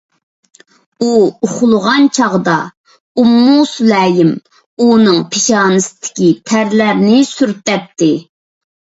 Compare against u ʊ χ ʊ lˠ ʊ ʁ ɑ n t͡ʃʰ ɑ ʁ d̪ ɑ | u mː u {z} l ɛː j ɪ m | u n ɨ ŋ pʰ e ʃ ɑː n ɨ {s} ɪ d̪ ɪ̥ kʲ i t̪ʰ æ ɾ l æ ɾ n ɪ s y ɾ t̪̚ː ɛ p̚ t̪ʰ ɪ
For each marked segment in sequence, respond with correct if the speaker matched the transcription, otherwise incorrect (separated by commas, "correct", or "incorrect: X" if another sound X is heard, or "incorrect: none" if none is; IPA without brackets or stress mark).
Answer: incorrect: s, correct